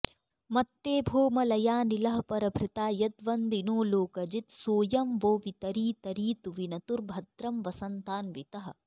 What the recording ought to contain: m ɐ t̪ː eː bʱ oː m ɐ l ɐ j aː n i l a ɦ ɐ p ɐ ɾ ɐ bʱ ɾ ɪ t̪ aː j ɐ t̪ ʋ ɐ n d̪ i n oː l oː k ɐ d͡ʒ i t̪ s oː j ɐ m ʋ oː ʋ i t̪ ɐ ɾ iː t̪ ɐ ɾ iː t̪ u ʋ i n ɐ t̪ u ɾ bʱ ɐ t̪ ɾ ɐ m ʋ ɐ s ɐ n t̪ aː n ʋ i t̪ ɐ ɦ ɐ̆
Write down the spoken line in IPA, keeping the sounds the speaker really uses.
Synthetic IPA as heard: m ɐ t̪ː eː bʱ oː m ɐ l ɐ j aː n i l ɐ ɦ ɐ p ɐ ɾ ɐ bʱ ɾ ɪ t̪ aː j ɐ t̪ ʋ ɐ n d̪ i n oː l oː k ɐ d͡ʒ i t̪ s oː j ɐ m ʋ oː ʋ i t̪ ɐ ɾ iː t̪ ɐ ɾ iː t̪ u ʋ i n ɐ t̪ u ɾ bʱ ɐ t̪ ɾ ɐ m ʋ ɐ s ɐ n t̪ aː n ʋ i t̪ ɐ ɦ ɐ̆